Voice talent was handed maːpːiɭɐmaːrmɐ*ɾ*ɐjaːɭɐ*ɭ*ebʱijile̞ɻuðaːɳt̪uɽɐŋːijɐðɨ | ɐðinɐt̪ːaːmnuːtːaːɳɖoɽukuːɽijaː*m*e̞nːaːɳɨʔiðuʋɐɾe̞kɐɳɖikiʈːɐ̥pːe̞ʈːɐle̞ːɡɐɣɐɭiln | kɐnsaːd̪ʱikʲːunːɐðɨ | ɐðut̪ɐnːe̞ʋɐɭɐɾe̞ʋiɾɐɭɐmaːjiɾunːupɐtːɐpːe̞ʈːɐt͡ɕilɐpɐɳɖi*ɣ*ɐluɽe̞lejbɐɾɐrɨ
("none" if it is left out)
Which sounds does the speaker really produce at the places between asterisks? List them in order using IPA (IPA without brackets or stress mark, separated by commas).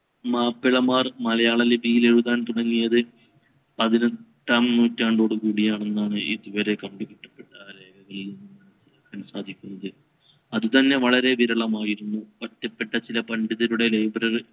l, l, ɳ, ð